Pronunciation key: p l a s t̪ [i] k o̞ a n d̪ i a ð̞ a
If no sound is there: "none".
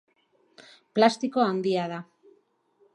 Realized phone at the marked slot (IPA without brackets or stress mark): i